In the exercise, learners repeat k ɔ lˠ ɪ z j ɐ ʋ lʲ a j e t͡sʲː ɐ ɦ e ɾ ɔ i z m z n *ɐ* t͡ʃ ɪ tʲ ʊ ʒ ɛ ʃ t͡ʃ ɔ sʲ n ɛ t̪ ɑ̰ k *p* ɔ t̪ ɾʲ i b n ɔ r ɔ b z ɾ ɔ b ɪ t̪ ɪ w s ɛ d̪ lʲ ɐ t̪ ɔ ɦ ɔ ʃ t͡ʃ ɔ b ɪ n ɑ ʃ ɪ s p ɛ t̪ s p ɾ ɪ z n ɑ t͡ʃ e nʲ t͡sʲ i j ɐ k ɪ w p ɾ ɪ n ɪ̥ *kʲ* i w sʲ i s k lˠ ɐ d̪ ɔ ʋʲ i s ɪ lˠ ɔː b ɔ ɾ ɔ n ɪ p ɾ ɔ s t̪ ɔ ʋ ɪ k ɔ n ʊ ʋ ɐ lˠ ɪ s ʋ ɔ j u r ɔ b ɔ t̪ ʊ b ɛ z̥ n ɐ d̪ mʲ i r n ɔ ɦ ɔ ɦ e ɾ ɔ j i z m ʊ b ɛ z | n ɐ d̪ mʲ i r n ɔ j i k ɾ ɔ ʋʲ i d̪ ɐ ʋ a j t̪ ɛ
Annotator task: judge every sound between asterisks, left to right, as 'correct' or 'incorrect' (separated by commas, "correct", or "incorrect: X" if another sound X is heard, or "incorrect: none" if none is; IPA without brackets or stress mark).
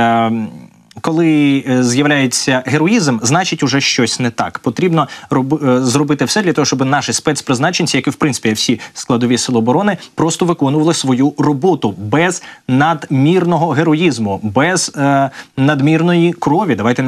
incorrect: ɑ, correct, incorrect: pʲ